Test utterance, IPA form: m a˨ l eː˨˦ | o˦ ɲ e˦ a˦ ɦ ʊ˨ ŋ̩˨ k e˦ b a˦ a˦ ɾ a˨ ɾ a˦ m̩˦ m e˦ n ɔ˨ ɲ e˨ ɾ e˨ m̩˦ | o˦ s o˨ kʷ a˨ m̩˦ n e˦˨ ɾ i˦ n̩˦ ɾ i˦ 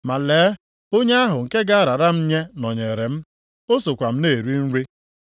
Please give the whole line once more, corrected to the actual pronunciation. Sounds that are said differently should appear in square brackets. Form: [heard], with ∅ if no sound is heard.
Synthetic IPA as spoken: m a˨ l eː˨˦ | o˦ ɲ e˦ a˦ ɦ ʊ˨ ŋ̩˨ k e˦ [ɡ] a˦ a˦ ɾ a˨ ɾ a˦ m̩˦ [ɲ] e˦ n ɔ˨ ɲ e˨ ɾ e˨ m̩˦ | o˦ s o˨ kʷ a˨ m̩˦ n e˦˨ ɾ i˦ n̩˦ ɾ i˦